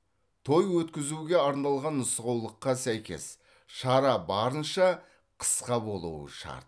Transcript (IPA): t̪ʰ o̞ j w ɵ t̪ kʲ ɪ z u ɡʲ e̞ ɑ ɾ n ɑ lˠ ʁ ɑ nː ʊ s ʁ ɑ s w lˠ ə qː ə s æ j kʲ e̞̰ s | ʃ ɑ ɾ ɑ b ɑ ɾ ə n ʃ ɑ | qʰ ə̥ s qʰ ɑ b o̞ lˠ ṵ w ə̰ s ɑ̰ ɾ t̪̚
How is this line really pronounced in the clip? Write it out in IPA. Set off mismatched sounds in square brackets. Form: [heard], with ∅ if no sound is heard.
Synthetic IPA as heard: t̪ʰ o̞ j w ɵ t̪ kʲ ɪ z u ɡʲ e̞ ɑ ɾ n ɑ lˠ ʁ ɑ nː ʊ s ʁ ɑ [∅] w lˠ ə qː [ɑ] s æ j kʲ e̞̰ s | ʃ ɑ ɾ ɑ b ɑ ɾ ə n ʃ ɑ | qʰ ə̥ s [q] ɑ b o̞ lˠ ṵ w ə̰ [ʃ] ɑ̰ ɾ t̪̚